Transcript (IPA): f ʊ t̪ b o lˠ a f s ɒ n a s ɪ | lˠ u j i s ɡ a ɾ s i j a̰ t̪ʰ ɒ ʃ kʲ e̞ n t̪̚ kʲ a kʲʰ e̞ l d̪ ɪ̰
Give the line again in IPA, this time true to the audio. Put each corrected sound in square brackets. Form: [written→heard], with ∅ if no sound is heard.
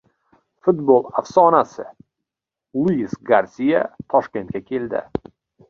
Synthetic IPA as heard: f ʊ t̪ b o lˠ a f s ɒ n a s ɪ | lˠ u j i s ɡ a ɾ s i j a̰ t̪ʰ ɒ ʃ kʲ e̞ n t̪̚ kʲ a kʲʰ e̞ l d̪ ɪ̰